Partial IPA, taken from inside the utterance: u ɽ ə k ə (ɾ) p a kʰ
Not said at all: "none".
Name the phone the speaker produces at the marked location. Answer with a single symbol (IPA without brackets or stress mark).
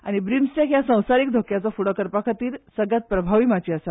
ɾ